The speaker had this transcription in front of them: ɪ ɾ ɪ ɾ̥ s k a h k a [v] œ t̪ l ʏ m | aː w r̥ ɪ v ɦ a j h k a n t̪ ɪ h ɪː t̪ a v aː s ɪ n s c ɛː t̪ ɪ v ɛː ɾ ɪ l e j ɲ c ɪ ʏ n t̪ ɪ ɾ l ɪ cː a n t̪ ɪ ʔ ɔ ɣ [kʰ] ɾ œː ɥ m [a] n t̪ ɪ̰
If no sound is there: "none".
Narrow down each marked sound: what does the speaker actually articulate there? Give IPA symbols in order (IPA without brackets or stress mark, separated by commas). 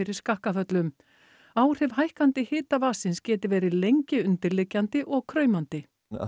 f, kʰ, a